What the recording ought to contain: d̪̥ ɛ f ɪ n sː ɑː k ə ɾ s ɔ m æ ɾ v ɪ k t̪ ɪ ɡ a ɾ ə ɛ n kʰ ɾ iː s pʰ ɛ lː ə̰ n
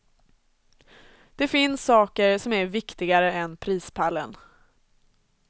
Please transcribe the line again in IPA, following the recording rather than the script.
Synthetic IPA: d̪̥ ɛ f ɪ n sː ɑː k ə ɾ s ɔ m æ ɾ v ɪ k t̪ ɪ ɡ a ɾ ə ɛ n pʰ ɾ iː s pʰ a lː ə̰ n